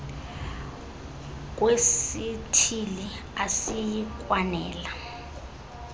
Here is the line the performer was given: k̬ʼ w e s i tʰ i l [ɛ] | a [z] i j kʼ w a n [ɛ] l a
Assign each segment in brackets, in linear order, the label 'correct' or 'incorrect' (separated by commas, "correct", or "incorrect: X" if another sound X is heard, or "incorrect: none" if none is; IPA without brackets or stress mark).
incorrect: i, incorrect: s, incorrect: ɛː